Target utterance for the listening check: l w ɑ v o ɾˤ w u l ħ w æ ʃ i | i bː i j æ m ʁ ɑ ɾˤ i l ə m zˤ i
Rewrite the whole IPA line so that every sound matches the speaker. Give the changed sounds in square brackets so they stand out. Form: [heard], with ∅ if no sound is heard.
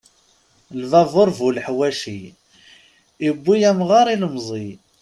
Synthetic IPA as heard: l [v] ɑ v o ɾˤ [v] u l ħ w æ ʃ i | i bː i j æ m ʁ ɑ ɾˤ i l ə m zˤ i